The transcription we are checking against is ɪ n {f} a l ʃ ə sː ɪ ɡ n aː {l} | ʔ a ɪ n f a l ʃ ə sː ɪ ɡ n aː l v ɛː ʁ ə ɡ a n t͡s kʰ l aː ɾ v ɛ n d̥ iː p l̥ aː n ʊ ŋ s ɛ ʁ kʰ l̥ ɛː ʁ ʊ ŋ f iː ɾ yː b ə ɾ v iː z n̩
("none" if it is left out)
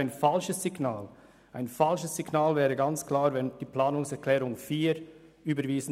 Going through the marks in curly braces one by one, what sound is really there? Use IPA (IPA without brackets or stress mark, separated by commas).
f, l